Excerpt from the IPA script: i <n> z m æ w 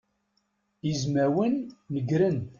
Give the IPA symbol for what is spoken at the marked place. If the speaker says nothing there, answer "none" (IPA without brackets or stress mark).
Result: none